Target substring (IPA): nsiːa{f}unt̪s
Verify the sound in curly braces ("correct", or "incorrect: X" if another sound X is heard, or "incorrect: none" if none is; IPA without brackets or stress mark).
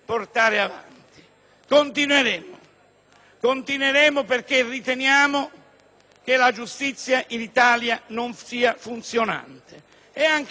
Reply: correct